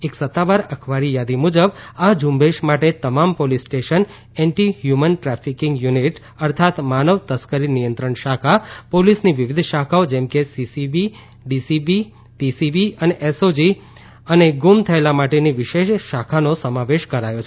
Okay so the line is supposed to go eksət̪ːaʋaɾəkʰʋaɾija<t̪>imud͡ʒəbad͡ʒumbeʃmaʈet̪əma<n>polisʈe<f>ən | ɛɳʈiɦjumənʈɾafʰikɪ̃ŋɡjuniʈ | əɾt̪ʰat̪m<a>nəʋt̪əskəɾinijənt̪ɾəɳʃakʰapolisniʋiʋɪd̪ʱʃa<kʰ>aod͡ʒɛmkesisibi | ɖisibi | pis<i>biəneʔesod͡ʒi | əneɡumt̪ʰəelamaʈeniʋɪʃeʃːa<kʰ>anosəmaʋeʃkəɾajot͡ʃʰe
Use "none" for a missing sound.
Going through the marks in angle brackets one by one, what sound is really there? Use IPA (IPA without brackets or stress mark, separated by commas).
d̪, m, ʃ, a, kʰ, i, kʰ